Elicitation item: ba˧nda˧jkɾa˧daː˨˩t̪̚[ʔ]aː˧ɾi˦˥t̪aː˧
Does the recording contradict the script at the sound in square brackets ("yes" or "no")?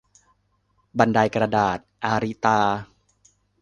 no